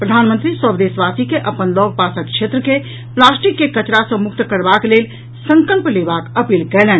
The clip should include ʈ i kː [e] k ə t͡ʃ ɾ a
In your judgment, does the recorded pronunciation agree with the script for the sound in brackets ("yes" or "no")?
yes